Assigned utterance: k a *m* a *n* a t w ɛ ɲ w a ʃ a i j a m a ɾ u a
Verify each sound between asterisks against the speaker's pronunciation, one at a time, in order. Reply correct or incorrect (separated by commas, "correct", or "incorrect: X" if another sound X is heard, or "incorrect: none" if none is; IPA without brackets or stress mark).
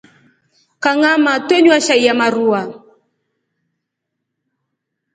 incorrect: ŋ, incorrect: m